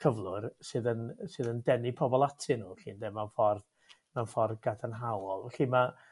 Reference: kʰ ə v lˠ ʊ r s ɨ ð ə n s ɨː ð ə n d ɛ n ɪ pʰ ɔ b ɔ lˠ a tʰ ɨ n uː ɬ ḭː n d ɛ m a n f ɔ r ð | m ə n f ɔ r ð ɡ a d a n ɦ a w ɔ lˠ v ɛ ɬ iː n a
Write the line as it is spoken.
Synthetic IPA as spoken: kʰ ə v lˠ ʊ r s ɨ ð ə n s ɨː ð ə n d ɛ n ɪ pʰ ɔ b ɔ lˠ a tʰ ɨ n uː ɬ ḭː n d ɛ m a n f ɔ r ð | m a n f ɔ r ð ɡ a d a n ɦ a w ɔ lˠ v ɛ ɬ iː m a